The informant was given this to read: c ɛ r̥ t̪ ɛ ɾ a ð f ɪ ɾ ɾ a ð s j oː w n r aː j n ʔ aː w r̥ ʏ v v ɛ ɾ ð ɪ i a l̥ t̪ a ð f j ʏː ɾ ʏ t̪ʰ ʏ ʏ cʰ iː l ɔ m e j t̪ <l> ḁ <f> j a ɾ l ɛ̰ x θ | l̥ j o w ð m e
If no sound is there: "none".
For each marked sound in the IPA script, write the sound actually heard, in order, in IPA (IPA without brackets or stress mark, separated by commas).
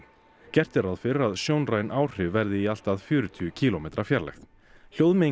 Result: ɾ, f